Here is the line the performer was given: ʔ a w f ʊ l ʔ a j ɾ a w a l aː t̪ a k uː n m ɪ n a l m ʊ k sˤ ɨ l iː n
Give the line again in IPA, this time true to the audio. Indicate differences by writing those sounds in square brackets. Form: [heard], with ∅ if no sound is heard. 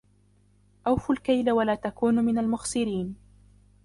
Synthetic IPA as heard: ʔ a w f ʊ l [k] a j [l] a w a l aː t̪ a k uː n m ɪ n a l m ʊ [x] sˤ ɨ [ɾ] iː n